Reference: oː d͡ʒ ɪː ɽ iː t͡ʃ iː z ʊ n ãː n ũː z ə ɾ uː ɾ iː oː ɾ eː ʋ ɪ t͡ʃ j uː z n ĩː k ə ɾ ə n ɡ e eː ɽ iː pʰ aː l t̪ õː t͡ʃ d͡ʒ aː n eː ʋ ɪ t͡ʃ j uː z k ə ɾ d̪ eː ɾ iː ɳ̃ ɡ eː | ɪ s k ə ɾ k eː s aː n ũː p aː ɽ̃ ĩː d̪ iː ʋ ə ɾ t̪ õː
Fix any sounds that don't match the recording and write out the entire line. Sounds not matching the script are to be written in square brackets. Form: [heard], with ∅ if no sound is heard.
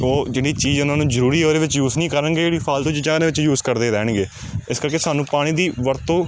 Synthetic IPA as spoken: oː d͡ʒ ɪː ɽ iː t͡ʃ iː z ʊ n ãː n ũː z ə ɾ uː ɾ iː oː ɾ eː ʋ ɪ t͡ʃ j uː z n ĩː k ə ɾ ə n ɡ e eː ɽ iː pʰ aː l t̪ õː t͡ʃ d͡ʒ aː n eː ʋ ɪ t͡ʃ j uː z k ə ɾ d̪ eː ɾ [ɛː] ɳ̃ ɡ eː | ɪ s k ə ɾ k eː s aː n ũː p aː ɽ̃ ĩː d̪ iː ʋ ə ɾ t̪ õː